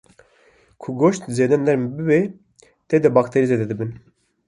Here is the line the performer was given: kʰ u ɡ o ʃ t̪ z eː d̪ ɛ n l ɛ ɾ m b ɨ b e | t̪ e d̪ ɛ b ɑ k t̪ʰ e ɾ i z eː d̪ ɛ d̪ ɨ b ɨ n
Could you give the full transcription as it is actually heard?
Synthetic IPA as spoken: kʰ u ɡ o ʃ t̪ z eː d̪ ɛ n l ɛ ɾ m b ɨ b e | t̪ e d̪ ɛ b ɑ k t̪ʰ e ɾ i z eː d̪ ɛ d̪ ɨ b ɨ n